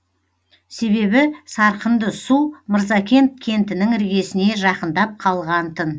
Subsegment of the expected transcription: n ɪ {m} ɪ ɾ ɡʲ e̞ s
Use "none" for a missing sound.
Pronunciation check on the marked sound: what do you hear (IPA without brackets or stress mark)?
ŋ